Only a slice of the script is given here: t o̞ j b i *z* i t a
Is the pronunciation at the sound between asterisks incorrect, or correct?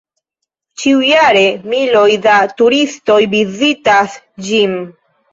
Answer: correct